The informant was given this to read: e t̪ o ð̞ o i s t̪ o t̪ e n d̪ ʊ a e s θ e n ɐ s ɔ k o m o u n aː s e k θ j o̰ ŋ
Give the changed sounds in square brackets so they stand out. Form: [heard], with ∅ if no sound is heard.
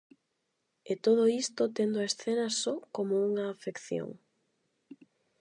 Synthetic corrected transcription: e t̪ o ð̞ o i s t̪ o t̪ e n d̪ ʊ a e s θ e n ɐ s ɔ k o m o u [ŋ] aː [f] e k θ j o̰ ŋ